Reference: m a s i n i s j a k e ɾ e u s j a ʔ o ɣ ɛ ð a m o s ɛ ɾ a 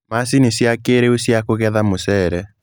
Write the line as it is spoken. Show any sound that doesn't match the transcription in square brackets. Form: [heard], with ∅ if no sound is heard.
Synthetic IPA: m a s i n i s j a k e ɾ e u s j a [k] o ɣ ɛ ð a m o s ɛ ɾ [ɛ]

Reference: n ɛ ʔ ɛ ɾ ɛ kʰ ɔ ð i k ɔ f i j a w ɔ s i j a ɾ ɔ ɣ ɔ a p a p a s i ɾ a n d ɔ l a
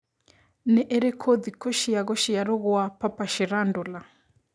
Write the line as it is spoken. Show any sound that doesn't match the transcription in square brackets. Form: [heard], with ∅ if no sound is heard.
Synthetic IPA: n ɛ ʔ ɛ ɾ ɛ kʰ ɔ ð i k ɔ [ʃ] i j a [ɣ] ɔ [ʃ] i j a ɾ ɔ ɣ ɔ a p a p a [ʃ] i ɾ a n d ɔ l a

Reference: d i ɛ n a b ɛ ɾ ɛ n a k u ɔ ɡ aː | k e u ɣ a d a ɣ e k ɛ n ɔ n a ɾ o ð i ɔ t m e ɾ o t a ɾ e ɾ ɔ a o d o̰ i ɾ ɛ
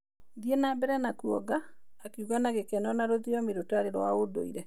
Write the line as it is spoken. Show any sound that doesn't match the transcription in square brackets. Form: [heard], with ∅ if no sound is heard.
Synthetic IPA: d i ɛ n a b ɛ ɾ ɛ n a k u ɔ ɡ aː | k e u ɣ a [n] a ɣ e k ɛ n ɔ n a ɾ o ð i ɔ [∅] m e ɾ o t a ɾ e ɾ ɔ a o d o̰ i ɾ ɛ

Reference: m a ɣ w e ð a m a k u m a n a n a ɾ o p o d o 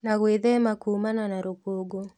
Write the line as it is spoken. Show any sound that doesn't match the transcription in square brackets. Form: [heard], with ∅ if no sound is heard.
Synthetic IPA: [n] a ɣ w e ð [ɛ] m a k u m a n a n a ɾ o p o [ɡ] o

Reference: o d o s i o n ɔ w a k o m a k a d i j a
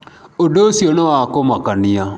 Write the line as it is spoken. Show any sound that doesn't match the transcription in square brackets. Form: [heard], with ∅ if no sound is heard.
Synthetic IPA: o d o s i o n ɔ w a k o m a k a [n] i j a

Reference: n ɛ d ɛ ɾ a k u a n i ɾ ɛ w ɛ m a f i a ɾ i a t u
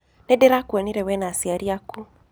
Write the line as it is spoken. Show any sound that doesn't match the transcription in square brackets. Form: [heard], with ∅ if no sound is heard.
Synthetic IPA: n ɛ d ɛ ɾ a k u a n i ɾ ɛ w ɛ [n] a [s] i a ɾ i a [k] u

